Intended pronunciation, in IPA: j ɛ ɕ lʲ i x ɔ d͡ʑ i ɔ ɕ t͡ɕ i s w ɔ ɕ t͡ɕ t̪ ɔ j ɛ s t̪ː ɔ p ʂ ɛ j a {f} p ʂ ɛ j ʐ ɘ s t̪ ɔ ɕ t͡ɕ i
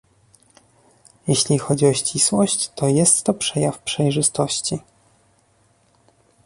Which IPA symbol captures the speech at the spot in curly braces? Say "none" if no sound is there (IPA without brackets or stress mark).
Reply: f